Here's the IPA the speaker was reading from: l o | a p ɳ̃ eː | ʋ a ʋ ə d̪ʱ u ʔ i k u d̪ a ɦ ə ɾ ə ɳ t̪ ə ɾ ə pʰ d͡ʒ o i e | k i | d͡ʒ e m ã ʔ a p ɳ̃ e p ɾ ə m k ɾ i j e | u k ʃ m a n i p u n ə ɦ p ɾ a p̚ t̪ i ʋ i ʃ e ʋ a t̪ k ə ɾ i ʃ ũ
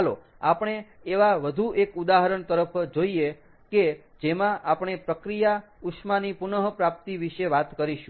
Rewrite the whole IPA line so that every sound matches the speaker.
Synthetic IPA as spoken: l o | a p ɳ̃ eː | ʋ a ʋ ə d̪ʱ u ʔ e k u d̪ a ɦ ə ɾ ə ɳ t̪ ə ɾ ə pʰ d͡ʒ o i e | k e | d͡ʒ e m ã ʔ a p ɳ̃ e p ɾ ə k ɾ i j a | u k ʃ m a n i p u n ə ɦ p ɾ a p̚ t̪ i ʋ i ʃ e ʋ a t̪ k ə ɾ i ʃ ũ